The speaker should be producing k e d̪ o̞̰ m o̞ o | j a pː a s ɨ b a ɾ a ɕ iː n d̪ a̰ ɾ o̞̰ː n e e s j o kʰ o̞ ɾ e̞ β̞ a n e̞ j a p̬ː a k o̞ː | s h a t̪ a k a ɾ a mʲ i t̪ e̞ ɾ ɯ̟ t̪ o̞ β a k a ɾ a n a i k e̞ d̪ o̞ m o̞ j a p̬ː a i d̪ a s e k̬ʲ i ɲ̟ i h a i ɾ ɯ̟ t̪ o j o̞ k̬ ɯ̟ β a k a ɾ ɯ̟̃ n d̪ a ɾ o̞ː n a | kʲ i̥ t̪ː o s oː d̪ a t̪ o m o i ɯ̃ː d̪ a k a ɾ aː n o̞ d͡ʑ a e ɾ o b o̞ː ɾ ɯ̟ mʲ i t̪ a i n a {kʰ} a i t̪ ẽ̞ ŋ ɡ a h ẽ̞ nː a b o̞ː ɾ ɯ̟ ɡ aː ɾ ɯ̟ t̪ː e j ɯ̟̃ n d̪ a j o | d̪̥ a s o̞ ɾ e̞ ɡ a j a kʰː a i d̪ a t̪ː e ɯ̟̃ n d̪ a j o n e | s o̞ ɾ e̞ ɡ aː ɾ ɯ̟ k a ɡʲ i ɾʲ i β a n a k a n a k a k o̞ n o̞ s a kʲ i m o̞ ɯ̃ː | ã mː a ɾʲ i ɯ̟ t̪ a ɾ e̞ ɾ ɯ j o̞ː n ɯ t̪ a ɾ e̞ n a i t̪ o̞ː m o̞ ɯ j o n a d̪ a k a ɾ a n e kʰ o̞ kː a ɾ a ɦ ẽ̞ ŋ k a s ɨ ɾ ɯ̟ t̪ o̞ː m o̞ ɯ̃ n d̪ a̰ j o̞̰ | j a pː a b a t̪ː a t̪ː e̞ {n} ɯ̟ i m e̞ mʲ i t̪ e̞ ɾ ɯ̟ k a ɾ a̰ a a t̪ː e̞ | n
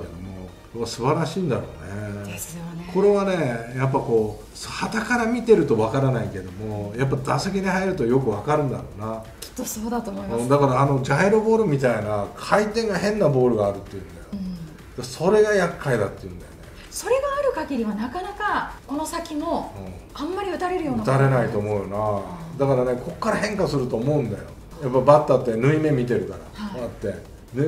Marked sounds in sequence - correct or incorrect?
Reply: correct, correct

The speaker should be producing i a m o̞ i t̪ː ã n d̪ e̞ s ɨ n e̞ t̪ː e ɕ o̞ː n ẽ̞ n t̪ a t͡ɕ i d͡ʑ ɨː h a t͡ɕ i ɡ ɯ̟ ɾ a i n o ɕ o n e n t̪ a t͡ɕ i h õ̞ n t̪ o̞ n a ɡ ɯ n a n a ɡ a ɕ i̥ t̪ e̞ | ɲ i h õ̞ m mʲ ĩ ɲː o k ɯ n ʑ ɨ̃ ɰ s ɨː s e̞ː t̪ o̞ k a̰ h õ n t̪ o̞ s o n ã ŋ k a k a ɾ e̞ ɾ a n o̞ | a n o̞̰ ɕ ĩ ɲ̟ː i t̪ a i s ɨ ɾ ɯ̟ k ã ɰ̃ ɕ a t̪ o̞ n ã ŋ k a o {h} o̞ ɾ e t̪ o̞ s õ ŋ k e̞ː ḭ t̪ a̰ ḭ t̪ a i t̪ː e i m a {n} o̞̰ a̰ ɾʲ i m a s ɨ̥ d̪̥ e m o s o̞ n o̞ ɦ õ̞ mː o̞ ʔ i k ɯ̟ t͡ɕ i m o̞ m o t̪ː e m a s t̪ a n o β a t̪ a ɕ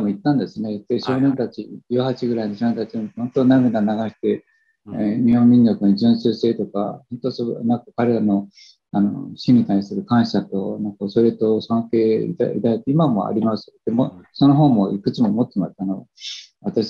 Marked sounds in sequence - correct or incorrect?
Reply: incorrect, incorrect

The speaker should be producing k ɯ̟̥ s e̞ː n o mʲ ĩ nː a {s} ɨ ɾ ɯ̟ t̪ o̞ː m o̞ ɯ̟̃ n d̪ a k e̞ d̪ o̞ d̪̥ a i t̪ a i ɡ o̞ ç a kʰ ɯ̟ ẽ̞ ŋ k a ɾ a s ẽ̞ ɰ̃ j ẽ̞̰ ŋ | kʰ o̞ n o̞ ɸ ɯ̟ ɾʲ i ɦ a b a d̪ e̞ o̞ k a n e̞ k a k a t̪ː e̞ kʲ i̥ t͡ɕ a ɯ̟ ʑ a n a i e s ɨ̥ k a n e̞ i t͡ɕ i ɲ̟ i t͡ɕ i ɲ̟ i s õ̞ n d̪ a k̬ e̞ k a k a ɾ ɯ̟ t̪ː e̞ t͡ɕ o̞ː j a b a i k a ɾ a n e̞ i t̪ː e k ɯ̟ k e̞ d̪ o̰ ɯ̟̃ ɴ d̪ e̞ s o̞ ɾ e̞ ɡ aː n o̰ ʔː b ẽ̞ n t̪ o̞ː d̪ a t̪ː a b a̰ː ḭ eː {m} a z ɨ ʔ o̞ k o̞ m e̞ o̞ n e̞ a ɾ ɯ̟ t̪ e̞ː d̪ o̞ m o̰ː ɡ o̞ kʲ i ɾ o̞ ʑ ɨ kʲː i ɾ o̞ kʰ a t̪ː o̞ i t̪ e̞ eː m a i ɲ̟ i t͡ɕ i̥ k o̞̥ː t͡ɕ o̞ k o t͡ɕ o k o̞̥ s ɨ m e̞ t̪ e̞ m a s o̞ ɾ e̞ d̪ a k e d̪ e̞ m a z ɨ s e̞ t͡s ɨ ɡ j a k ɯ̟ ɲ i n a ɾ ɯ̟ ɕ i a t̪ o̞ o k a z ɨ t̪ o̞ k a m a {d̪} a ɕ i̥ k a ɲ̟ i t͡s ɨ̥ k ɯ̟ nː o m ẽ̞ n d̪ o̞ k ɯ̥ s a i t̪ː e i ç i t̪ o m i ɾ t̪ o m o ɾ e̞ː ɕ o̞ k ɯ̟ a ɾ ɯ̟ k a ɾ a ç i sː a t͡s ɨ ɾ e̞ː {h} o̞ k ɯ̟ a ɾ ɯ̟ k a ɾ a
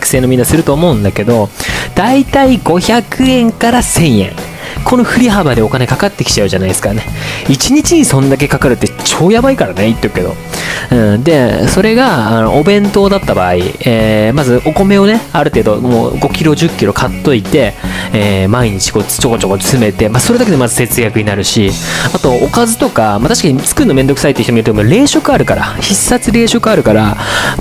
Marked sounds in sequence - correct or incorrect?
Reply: correct, correct, incorrect, incorrect

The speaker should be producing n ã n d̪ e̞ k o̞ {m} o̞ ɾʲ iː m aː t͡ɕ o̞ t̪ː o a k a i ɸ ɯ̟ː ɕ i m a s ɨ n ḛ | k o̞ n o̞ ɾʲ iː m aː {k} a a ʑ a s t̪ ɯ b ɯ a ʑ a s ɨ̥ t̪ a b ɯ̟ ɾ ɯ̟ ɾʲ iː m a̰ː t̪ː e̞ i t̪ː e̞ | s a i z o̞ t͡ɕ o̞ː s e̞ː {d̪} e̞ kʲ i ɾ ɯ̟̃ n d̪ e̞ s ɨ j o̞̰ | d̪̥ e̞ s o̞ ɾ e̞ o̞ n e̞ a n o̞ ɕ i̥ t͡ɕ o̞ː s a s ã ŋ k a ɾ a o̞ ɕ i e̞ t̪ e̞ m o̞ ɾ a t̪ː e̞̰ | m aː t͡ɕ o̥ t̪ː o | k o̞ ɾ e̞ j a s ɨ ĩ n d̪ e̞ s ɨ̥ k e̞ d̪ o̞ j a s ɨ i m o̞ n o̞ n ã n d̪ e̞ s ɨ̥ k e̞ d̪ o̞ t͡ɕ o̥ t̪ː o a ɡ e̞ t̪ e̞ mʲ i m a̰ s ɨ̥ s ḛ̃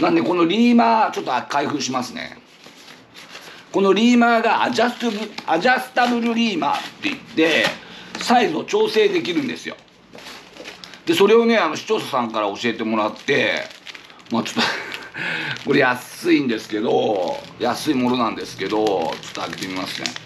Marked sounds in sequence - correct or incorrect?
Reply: incorrect, incorrect, correct

